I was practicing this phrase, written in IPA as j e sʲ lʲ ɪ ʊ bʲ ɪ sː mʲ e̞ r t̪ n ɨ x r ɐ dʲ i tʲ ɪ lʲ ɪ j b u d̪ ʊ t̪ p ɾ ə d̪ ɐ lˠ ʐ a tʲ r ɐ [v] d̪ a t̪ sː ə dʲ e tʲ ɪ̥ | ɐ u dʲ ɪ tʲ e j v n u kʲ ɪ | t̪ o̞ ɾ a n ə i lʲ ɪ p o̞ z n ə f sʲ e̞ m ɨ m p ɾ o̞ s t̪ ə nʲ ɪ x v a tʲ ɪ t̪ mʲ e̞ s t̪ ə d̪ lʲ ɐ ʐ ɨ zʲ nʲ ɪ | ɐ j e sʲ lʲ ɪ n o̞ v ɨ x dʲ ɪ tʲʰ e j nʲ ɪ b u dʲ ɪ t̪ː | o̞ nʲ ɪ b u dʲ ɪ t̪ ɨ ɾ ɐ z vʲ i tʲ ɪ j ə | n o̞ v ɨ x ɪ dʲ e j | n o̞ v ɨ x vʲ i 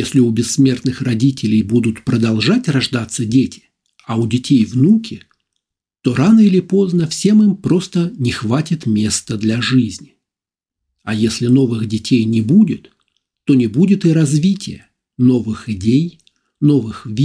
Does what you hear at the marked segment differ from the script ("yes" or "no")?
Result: yes